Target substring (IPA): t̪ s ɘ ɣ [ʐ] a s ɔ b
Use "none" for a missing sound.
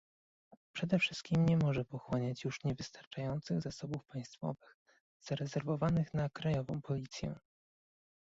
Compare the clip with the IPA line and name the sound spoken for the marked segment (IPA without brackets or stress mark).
z